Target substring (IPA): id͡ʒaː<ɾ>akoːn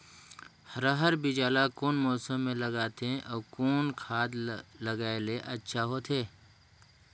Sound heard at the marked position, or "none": l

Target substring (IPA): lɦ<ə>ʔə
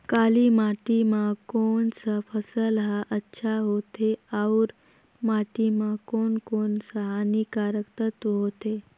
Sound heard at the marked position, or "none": a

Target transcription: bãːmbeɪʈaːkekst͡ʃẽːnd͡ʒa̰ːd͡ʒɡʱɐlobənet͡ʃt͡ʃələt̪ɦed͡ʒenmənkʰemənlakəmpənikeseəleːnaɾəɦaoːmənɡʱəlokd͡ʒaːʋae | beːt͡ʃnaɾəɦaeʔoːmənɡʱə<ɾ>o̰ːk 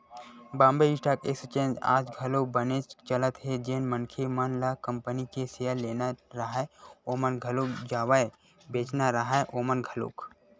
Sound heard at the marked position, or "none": l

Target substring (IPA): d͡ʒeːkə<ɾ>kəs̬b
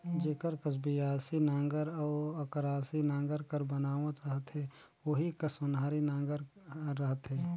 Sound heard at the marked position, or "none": ɾ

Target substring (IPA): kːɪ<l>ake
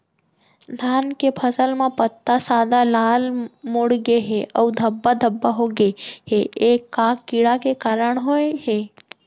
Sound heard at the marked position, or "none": ɽ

